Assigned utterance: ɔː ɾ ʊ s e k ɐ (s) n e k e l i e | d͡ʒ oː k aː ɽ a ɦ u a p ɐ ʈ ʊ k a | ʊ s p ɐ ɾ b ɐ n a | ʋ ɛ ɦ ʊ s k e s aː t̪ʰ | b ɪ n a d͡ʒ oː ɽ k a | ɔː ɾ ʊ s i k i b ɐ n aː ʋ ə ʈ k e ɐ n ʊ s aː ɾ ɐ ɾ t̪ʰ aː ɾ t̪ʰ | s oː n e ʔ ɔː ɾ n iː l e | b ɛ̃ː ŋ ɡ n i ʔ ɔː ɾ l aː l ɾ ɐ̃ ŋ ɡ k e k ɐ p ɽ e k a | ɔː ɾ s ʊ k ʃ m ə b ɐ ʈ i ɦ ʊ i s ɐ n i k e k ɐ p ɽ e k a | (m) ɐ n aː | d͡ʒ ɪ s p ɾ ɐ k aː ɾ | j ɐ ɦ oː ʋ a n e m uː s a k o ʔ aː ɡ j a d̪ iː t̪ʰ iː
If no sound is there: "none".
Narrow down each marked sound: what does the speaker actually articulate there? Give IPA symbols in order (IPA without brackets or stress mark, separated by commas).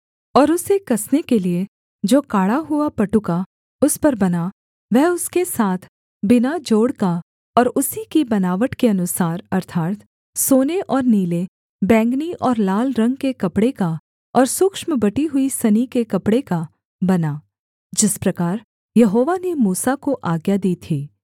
s, b